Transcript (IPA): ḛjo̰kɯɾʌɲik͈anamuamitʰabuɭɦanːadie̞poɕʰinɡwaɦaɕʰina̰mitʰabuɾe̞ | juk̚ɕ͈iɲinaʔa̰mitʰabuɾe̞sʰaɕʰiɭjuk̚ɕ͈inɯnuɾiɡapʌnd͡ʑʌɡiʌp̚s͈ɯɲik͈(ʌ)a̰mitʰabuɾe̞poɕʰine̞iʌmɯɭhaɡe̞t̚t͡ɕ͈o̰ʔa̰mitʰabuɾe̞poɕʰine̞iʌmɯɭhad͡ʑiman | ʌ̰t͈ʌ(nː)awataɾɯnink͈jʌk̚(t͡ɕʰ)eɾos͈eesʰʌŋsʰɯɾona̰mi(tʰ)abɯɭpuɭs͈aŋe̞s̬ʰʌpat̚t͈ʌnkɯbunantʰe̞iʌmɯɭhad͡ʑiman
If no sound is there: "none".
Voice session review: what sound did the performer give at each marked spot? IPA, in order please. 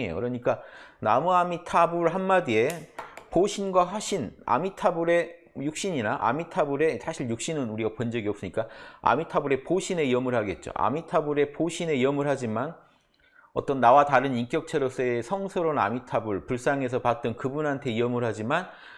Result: a, nː, t͡ɕʰ, tʰ

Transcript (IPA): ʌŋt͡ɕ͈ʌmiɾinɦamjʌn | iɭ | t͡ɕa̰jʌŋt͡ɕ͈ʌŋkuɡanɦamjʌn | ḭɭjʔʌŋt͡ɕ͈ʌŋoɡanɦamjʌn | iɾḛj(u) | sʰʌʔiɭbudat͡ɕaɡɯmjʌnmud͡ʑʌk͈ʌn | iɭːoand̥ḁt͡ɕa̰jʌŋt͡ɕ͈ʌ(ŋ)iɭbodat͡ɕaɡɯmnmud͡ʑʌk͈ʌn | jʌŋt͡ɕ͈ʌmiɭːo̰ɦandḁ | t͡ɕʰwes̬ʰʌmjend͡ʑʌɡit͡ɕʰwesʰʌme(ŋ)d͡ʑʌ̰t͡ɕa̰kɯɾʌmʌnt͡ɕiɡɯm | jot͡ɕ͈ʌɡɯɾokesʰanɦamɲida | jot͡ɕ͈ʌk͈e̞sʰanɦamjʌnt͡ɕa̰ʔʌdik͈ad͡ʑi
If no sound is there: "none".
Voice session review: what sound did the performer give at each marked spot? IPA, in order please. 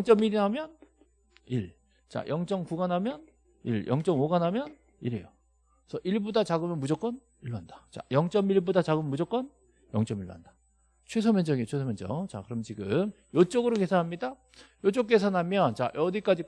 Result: o, m, n

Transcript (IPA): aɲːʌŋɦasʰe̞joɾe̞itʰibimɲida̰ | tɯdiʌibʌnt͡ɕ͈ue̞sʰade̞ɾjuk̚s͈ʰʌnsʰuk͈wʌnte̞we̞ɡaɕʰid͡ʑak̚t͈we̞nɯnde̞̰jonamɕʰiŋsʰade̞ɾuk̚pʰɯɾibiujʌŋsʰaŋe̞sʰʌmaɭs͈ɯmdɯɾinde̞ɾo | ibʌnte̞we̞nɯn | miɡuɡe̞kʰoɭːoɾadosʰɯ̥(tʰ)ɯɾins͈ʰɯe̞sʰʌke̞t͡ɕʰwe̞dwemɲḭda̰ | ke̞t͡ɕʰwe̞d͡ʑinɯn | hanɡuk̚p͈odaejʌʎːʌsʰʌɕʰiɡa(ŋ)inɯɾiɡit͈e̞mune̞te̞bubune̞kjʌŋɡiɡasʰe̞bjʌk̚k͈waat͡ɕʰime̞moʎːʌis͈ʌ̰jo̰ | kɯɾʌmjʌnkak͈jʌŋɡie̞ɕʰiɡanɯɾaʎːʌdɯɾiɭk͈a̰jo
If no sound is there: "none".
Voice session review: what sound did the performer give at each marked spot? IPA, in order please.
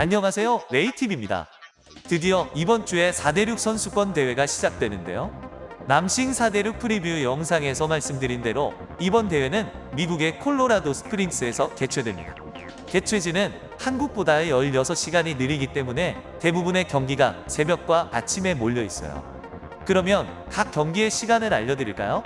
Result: pʰ, ɲ

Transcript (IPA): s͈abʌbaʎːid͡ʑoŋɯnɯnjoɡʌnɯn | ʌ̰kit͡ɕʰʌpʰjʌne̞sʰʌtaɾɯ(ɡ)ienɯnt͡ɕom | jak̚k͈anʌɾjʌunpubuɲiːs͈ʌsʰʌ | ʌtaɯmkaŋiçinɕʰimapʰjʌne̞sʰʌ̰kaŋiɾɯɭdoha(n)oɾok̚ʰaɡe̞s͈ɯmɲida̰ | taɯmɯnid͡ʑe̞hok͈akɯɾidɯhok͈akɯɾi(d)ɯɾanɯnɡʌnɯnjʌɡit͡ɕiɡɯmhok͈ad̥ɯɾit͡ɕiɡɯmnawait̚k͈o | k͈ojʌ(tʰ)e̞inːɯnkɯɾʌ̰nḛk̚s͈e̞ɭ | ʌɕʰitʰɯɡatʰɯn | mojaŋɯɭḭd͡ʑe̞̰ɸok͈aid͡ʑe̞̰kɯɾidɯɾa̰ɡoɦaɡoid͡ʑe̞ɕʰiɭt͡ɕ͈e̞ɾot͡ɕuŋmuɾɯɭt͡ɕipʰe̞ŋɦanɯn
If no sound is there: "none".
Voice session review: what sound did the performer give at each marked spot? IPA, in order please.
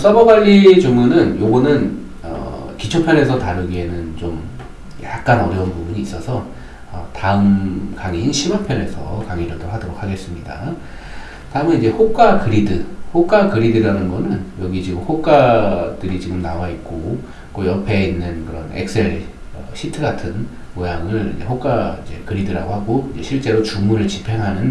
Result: ɡ, d, d, pʰ

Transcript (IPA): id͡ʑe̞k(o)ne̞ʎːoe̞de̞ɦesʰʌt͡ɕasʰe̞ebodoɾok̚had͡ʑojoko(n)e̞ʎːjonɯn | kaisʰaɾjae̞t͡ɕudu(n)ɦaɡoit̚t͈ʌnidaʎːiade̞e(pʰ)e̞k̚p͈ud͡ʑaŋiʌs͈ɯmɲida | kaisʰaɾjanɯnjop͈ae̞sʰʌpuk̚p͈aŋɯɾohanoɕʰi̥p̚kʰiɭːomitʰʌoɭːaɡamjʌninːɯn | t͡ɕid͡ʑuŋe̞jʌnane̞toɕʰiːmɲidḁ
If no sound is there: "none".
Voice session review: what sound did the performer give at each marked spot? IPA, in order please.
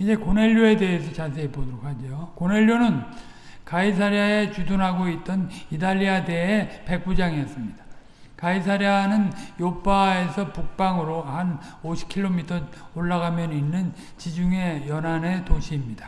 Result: o, n, n, p

